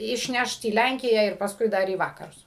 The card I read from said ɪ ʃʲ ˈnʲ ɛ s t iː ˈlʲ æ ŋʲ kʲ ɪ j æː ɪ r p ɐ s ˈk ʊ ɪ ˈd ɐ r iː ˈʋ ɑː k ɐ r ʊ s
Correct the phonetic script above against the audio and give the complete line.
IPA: ɪ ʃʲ ˈnʲ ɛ ʃ t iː ˈlʲ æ ŋʲ kʲ ɪ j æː ɪ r p ɐ s ˈk ʊ ɪ ˈd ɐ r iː ˈʋ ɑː k ɐ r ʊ s

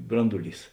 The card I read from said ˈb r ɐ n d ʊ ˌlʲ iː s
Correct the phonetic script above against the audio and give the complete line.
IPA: ˈb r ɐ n d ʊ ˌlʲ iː s

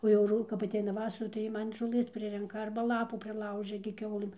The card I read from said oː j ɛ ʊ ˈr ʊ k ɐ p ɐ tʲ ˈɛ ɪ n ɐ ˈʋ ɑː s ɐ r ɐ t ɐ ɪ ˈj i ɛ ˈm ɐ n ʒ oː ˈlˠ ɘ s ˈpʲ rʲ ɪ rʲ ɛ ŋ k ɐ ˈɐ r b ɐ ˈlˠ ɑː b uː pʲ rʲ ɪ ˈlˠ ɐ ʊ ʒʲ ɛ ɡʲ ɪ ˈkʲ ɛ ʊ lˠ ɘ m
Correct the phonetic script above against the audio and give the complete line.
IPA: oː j ɛ ʊ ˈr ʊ k ɐ p ɐ tʲ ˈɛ ɪ n ɐ ˈʋ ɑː s ɐ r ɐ t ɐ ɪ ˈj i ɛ ˈm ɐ n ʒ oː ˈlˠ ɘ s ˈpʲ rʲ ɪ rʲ ɛ ŋ k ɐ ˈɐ r b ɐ ˈlˠ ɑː p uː pʲ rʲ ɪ ˈlˠ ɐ ʊ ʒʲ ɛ ɡʲ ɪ ˈkʲ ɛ ʊ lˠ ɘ m

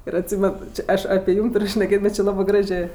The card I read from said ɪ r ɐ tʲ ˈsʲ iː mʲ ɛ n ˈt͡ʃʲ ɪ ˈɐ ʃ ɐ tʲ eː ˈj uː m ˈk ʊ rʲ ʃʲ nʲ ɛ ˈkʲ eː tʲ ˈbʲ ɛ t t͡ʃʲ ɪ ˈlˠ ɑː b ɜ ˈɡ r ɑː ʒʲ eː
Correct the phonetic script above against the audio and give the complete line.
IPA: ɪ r ɐ tʲ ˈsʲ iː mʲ ɛ n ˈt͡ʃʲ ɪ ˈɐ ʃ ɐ pʲ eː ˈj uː m ˈt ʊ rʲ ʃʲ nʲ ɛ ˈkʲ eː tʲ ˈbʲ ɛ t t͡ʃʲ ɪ ˈlˠ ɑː b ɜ ˈɡ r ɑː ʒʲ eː

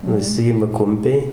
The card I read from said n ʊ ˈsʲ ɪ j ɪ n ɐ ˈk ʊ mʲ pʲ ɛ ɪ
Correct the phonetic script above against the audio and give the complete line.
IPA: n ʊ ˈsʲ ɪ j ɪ m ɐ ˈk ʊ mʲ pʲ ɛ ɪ

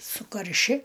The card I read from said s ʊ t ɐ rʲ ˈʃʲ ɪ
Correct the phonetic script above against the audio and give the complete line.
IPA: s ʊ k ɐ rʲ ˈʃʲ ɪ

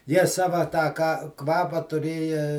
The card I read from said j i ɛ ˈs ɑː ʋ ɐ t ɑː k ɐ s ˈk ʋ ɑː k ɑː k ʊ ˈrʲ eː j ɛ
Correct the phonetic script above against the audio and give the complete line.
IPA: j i ɛ ˈs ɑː ʋ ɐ t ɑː k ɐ ˈk ʋ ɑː p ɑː t ʊ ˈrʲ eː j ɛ

